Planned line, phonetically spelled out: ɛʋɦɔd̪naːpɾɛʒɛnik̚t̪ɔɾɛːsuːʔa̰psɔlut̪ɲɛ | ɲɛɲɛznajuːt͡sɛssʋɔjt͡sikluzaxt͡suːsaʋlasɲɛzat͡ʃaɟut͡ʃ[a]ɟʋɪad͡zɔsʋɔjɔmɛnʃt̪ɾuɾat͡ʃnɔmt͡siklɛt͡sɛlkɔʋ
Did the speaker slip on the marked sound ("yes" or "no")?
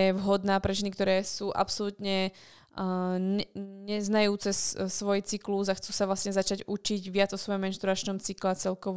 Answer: yes